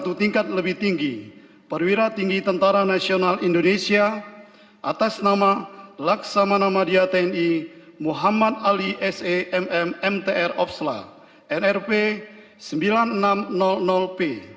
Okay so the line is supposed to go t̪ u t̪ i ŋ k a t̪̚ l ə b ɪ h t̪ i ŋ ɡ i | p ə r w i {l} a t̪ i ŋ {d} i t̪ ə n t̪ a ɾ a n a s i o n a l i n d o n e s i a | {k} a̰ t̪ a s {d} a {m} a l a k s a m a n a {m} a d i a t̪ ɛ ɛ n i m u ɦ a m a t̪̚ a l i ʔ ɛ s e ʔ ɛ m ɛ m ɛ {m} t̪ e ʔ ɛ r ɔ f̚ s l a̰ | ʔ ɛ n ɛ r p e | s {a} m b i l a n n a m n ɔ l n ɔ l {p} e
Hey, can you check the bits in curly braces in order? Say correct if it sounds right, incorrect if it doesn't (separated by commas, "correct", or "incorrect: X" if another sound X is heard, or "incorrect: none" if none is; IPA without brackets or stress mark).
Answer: incorrect: ɾ, incorrect: ɡ, incorrect: ʔ, incorrect: n, correct, correct, correct, incorrect: ə, correct